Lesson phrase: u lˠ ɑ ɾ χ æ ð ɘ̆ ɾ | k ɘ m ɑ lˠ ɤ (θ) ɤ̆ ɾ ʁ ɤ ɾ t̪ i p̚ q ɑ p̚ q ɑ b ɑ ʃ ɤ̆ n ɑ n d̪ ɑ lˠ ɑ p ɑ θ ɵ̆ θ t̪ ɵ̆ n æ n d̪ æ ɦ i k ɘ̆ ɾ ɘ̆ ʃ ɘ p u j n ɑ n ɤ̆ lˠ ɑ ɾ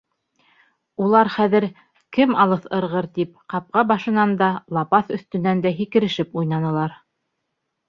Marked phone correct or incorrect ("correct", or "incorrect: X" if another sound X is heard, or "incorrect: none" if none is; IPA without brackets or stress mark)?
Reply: correct